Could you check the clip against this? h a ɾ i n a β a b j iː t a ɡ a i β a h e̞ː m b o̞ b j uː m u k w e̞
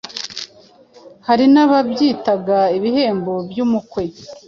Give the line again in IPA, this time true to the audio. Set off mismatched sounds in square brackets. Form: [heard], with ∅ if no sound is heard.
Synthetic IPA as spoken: h a ɾ i n a β a b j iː t a ɡ a i β [i] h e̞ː m b o̞ b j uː m u k w e̞